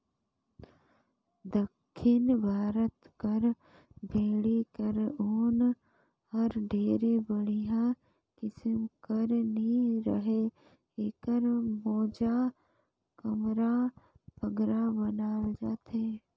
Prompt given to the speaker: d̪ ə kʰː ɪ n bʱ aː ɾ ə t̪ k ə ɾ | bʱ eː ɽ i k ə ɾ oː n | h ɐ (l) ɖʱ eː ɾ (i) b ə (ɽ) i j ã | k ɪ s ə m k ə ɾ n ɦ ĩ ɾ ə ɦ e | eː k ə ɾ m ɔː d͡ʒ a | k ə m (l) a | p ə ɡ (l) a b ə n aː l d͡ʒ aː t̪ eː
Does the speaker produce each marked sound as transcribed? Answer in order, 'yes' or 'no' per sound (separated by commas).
no, no, yes, no, no